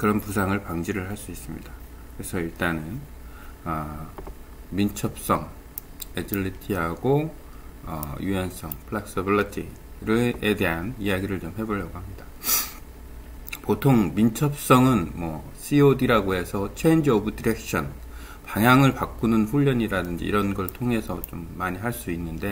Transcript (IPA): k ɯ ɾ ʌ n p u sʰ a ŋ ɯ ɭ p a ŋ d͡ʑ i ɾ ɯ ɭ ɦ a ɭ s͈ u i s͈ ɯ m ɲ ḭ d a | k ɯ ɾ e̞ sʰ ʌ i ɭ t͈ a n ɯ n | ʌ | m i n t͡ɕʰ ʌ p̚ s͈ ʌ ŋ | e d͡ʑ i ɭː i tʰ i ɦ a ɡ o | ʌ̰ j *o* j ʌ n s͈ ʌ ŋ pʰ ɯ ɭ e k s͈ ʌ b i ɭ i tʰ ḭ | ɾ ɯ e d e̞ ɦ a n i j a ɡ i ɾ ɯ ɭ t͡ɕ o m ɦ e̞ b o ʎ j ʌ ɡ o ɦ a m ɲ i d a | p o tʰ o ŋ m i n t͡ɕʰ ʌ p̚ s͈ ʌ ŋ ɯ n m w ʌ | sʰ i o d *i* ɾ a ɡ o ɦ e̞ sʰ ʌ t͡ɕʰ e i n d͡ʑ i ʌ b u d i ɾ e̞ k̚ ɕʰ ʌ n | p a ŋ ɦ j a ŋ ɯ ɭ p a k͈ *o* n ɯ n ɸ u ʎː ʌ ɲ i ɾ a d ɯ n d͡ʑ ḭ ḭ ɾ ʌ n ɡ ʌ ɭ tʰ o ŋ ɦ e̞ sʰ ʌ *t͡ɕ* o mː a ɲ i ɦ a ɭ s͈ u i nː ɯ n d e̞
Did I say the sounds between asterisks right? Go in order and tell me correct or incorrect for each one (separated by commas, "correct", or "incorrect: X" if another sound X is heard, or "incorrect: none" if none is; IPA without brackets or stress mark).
incorrect: u, correct, incorrect: u, correct